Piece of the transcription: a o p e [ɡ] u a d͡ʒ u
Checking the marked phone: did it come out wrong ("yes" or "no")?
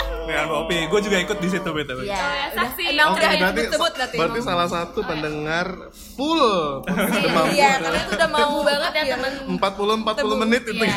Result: no